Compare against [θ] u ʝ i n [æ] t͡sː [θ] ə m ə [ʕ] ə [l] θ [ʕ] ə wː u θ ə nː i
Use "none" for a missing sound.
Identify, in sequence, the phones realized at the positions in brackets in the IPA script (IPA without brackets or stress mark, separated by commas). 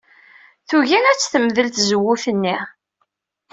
θ, æ, θ, ð, l, z